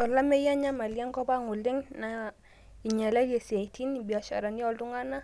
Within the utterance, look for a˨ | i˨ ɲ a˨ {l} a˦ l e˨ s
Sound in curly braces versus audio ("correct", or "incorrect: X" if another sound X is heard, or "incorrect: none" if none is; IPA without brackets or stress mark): correct